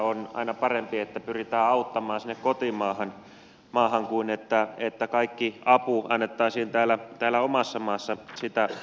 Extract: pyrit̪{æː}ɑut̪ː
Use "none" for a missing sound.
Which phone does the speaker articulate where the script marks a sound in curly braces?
æː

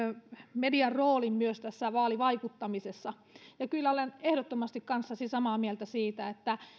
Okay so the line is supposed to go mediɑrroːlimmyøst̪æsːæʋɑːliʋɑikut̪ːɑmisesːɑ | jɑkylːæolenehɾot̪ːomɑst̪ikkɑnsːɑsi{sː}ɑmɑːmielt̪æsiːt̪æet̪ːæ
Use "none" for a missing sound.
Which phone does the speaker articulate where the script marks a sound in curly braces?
s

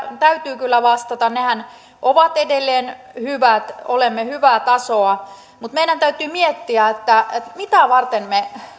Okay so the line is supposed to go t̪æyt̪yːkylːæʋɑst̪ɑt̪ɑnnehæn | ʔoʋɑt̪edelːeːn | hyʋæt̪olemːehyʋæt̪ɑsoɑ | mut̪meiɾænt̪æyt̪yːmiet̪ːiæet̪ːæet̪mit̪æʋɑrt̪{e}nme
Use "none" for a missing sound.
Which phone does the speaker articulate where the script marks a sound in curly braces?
e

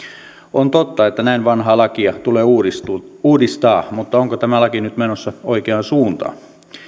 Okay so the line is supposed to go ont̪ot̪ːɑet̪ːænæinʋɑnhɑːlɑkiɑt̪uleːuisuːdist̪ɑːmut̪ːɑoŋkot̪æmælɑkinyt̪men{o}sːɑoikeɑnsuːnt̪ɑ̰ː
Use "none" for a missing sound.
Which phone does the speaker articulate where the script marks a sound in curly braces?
o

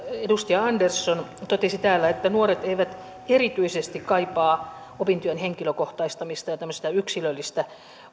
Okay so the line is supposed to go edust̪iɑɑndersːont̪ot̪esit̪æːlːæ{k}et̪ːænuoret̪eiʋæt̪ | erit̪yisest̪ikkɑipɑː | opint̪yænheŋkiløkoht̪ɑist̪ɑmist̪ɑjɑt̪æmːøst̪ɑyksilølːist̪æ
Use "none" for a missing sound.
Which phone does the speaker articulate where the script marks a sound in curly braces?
none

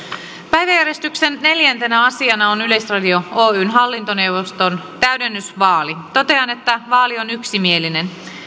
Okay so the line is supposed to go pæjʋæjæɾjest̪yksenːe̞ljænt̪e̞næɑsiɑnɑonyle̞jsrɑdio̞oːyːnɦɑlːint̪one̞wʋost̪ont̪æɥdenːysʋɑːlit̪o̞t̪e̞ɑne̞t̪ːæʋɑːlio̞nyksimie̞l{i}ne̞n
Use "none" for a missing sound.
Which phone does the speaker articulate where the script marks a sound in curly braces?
i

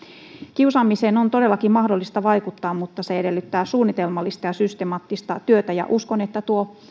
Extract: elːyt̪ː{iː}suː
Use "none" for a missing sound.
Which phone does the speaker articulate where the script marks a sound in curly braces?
æː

